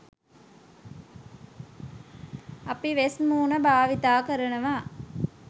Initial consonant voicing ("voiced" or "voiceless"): voiceless